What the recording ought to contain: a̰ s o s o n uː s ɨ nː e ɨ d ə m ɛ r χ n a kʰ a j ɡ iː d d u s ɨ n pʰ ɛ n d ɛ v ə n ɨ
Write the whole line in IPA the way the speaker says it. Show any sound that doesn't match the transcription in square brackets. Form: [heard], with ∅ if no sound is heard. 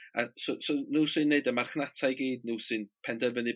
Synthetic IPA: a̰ s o s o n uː s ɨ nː e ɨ d ə m [a] r χ n a [tʰ] a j ɡ iː d [n] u s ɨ n pʰ ɛ n d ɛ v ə n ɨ

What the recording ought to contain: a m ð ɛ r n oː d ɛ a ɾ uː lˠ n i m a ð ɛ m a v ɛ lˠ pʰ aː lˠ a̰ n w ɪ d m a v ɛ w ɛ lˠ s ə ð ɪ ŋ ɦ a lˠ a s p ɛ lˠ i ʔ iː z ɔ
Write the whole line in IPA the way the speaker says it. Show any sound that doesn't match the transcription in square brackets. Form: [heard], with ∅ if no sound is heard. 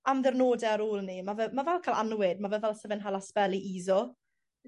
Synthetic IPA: a m ð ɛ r n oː d ɛ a ɾ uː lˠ n i m a [v] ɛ m a v ɛ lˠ [kʰ] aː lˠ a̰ n w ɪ d m a v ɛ [v] ɛ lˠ s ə [v] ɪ [n] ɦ a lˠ a s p ɛ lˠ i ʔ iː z ɔ

